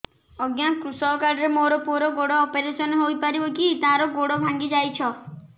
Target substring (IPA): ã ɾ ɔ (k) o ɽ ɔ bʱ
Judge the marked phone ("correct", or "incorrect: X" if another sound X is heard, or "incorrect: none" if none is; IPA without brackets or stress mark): incorrect: ɡ